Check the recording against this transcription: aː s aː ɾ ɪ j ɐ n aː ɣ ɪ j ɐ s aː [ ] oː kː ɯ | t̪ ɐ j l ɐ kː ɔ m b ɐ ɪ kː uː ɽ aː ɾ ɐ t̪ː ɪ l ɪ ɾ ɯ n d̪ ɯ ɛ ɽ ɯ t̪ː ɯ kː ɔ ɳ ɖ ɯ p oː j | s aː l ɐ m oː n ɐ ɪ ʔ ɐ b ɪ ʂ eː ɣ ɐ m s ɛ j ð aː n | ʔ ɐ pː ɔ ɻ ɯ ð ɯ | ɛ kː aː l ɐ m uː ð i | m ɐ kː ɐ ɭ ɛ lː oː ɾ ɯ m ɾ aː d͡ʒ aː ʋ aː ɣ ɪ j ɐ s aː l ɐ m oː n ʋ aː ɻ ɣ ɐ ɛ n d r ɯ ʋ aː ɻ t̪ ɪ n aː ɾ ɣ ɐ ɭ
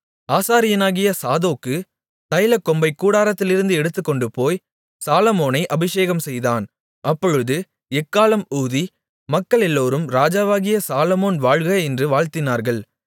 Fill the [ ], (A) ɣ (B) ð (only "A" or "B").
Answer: B